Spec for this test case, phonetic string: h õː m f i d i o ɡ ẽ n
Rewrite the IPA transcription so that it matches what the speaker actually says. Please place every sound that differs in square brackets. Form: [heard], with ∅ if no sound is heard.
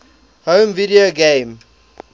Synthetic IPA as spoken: h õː m [v] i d i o ɡ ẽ [m]